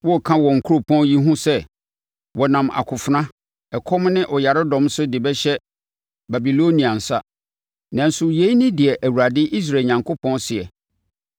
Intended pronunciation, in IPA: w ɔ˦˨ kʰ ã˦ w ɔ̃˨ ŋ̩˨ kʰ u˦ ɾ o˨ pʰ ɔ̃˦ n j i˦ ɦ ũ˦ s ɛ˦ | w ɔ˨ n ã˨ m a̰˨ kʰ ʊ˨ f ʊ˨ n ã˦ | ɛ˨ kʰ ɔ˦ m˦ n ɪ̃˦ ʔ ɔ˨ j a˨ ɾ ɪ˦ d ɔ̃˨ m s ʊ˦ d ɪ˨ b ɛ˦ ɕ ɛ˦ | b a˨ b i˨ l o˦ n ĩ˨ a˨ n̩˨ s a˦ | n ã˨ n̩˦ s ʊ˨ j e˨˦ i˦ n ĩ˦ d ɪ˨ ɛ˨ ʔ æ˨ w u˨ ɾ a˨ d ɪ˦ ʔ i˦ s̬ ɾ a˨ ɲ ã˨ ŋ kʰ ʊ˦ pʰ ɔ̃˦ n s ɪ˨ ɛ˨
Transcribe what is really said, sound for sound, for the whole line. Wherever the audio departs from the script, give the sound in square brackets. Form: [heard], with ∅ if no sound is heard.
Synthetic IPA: w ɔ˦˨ kʰ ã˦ w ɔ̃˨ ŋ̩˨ kʰ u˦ ɾ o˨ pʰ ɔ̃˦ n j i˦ ɦ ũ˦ s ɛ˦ | w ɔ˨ n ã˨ m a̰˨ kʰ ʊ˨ f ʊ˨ n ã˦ | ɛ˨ kʰ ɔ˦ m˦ n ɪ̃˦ ʔ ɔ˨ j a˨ ɾ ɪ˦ d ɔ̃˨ m s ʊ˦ d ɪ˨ b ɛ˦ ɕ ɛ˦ | b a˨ b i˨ l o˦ n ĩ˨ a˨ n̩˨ s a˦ | n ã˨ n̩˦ s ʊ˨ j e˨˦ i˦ n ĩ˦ d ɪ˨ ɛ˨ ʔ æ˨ w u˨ ɾ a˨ d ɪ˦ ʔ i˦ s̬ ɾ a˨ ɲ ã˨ ŋ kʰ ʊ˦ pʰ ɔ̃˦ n s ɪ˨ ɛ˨